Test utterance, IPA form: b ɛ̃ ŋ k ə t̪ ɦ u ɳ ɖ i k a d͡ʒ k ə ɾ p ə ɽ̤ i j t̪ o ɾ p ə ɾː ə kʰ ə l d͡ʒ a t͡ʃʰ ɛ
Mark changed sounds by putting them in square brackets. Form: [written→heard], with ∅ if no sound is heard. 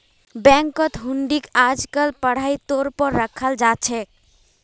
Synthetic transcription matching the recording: b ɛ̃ ŋ k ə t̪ ɦ u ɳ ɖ i k a d͡ʒ k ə [ɾ→l] p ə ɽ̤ [i→a] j t̪ o ɾ p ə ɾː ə kʰ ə l d͡ʒ a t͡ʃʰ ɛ